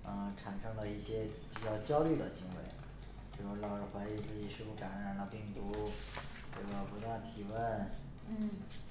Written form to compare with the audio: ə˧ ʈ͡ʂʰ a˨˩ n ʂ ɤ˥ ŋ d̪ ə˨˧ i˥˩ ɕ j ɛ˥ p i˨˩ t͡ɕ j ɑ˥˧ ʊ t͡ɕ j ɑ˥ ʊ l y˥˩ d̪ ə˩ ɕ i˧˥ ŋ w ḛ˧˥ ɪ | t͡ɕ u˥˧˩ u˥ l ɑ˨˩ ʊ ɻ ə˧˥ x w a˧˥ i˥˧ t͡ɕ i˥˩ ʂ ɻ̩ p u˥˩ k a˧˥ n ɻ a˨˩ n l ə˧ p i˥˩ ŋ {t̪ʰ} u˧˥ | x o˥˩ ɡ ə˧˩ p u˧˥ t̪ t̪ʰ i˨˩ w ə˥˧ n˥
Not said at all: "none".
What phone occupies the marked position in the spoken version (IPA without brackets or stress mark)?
t̪